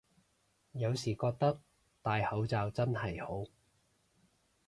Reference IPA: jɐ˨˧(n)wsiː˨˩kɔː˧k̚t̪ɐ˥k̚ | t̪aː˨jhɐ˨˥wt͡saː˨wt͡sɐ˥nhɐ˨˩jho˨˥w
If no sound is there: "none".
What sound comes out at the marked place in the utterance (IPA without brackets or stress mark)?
none